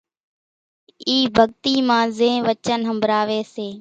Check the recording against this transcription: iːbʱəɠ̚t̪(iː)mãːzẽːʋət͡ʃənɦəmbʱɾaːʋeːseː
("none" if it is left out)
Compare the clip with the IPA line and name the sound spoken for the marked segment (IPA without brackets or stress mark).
iː